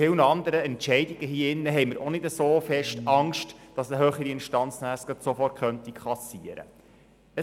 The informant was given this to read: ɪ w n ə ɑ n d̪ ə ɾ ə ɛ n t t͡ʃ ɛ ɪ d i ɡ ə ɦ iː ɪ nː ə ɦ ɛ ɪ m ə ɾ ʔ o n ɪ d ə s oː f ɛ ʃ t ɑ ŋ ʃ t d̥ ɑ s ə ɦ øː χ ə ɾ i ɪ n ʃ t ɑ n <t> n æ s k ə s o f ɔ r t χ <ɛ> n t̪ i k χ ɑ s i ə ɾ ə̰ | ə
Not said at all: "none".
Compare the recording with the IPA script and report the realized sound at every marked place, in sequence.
t͡s, œ

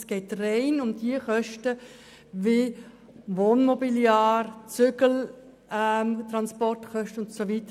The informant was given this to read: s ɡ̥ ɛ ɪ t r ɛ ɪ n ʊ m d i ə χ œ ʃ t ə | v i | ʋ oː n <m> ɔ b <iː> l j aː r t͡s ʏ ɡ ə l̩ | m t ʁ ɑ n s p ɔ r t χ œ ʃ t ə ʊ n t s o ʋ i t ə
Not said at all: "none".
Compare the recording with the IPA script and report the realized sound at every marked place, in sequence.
m, i

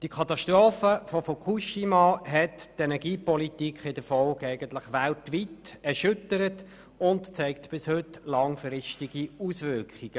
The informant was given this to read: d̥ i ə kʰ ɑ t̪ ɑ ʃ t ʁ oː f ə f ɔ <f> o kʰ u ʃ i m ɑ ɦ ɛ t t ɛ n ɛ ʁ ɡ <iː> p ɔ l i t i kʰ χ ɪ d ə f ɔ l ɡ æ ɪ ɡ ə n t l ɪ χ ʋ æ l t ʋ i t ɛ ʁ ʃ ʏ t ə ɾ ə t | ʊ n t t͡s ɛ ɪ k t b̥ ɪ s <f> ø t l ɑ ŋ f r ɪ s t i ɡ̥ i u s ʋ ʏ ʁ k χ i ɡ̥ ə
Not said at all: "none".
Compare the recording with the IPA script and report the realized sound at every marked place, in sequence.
f, iː, h

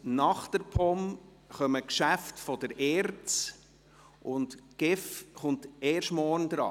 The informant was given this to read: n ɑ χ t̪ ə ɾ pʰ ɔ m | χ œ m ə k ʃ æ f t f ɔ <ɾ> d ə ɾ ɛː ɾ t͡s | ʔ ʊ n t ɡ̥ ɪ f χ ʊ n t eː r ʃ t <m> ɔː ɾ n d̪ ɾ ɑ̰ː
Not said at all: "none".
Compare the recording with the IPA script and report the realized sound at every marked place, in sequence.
none, m

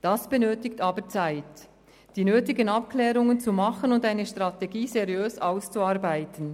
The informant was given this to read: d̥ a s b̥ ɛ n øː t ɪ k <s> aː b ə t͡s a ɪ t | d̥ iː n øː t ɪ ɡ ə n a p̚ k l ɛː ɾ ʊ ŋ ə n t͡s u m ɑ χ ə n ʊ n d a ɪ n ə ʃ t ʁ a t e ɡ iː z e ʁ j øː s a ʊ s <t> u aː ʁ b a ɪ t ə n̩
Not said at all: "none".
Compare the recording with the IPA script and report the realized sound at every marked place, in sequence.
t, t͡s

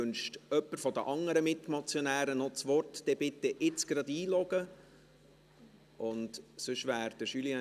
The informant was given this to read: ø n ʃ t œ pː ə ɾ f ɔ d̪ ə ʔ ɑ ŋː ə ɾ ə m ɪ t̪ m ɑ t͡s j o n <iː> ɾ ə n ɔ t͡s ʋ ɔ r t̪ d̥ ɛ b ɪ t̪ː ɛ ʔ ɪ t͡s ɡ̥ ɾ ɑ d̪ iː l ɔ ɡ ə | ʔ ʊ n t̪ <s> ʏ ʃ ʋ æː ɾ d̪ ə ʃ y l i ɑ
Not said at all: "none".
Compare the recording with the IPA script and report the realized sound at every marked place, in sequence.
æː, s

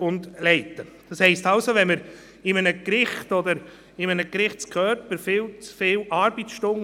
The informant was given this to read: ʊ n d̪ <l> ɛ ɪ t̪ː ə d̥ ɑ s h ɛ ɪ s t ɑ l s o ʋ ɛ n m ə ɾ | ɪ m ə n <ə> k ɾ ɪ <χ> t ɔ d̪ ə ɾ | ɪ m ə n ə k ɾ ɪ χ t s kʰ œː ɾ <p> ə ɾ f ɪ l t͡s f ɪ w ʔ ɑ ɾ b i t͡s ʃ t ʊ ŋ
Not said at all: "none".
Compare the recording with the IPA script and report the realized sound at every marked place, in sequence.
l, ə, χ, p

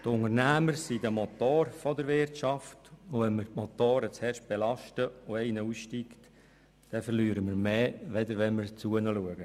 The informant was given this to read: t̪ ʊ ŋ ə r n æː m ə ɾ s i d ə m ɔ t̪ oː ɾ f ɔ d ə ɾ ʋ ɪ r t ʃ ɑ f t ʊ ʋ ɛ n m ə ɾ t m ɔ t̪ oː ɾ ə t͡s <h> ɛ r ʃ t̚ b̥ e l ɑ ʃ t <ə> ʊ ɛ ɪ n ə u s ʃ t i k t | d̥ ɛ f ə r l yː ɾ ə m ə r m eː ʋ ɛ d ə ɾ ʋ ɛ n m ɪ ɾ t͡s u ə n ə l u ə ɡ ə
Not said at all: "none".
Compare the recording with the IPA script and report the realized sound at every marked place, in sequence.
h, ə

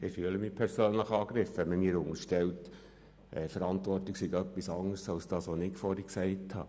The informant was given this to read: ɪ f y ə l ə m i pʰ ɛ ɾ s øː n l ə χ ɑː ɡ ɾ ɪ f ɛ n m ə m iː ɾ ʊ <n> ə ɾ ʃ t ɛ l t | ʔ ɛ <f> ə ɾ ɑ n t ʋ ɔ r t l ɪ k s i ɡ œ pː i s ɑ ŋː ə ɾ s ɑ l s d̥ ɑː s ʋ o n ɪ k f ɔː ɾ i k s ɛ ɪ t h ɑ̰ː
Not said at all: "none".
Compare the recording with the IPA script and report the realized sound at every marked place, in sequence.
ŋ, f

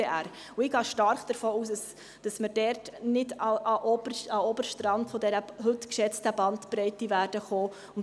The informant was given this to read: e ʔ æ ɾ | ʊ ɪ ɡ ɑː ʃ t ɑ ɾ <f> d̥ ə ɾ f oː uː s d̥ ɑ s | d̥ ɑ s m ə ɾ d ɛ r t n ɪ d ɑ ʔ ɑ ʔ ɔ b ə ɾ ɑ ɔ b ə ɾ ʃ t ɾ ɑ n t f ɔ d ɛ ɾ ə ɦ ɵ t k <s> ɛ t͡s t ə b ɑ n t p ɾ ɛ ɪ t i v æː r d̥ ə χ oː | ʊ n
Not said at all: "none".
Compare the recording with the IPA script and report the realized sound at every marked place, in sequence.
χ, ʃ

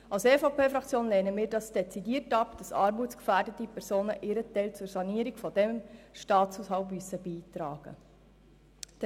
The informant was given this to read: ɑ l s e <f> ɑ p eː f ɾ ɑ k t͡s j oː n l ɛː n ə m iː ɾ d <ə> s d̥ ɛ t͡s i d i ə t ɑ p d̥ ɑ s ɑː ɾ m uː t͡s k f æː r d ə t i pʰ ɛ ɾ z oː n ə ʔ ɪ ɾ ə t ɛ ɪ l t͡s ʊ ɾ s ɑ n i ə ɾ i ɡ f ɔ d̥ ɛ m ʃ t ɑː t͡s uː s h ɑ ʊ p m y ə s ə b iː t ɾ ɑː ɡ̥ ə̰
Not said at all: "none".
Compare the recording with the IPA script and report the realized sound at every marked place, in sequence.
f, ɑ

